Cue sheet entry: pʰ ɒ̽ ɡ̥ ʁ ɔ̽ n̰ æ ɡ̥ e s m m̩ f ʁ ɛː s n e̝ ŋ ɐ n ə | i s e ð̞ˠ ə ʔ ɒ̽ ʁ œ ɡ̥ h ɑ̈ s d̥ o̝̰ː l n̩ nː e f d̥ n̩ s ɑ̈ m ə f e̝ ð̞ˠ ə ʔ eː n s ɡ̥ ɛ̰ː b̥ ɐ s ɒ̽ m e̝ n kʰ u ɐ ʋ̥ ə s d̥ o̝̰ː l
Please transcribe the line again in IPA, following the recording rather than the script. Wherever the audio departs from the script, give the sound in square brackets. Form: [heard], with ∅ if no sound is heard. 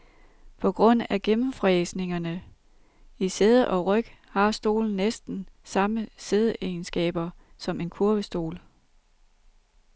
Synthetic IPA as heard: pʰ ɒ̽ ɡ̥ ʁ ɔ̽ n̰ æ ɡ̥ e [∅] m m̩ f ʁ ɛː s n e̝ ŋ ɐ n ə | i s e ð̞ˠ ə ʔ ɒ̽ ʁ œ ɡ̥ h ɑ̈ s d̥ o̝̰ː l n̩ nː e [s] d̥ n̩ s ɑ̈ m ə [s] e̝ ð̞ˠ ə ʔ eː n s ɡ̥ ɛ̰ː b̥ ɐ s ɒ̽ m e̝ n kʰ u ɐ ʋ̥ ə s d̥ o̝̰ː l